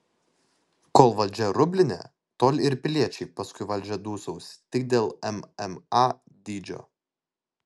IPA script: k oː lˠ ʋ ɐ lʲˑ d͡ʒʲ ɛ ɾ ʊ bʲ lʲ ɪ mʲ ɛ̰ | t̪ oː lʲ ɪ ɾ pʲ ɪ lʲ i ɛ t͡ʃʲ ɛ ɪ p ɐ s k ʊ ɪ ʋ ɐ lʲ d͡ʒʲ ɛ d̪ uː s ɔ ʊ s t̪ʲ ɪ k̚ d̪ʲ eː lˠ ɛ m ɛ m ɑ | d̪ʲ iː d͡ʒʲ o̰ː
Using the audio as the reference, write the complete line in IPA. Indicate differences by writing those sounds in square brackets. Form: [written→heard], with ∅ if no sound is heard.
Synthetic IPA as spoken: k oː lˠ ʋ ɐ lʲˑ d͡ʒʲ ɛ ɾ ʊ bʲ lʲ ɪ [mʲ→nʲ] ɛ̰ | t̪ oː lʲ ɪ ɾ pʲ ɪ lʲ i ɛ t͡ʃʲ ɛ ɪ p ɐ s k ʊ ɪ ʋ ɐ lʲ d͡ʒʲ ɛ d̪ uː s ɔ ʊ s t̪ʲ ɪ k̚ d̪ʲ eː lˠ ɛ m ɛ m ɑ | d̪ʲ iː d͡ʒʲ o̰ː